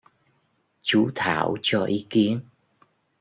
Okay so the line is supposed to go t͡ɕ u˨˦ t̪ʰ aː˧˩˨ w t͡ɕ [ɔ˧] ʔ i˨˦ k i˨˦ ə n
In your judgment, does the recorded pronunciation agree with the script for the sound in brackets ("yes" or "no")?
yes